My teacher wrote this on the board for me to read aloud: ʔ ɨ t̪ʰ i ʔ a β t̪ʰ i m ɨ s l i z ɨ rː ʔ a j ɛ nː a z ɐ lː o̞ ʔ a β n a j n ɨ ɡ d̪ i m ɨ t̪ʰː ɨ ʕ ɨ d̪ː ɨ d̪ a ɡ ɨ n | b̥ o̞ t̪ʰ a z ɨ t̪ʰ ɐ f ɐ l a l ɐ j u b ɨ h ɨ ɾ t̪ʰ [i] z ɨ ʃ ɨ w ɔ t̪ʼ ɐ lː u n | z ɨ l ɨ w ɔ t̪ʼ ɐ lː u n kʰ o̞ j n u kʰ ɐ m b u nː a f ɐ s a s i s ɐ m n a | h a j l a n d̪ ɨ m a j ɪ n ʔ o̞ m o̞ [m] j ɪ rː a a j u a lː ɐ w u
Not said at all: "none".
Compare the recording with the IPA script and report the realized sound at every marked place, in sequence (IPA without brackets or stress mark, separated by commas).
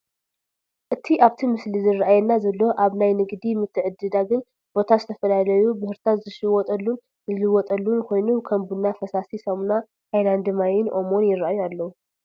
a, n